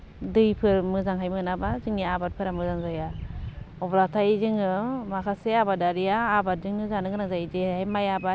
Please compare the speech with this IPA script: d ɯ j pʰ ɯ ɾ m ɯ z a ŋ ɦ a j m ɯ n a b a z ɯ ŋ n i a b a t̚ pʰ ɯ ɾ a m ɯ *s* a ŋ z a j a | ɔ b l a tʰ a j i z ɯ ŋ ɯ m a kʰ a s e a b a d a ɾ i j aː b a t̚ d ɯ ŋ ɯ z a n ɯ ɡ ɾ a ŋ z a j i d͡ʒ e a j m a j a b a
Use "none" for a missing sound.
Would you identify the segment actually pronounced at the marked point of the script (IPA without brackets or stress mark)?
z